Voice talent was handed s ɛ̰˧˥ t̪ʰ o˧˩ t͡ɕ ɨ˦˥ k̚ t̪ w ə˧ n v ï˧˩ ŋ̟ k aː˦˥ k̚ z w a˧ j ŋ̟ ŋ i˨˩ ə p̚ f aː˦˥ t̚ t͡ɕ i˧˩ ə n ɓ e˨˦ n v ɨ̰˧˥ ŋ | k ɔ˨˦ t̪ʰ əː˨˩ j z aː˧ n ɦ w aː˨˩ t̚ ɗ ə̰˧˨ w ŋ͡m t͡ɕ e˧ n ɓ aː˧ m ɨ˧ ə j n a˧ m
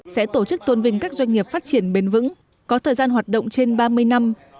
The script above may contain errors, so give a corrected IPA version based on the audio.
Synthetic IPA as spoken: s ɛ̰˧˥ t̪ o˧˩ t͡ɕ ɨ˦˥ k̚ t̪ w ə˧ n v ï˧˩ ŋ̟ k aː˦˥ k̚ z w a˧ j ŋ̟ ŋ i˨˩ ə p̚ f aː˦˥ t̚ t͡ɕ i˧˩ ə n ɓ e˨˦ n v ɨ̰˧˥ ŋ | k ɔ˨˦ t̪ʰ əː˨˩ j z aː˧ n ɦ w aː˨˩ t̚ ɗ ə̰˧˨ w ŋ͡m t͡ɕ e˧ n ɓ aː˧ m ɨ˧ ə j n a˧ m